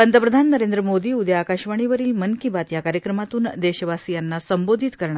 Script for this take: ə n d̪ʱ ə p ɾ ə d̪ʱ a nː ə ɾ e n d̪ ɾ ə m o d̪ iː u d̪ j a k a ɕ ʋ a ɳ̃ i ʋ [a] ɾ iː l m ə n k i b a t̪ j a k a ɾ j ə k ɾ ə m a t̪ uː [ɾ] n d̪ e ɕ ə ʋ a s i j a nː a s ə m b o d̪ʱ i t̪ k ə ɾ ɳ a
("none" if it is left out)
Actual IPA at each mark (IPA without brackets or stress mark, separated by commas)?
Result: ə, none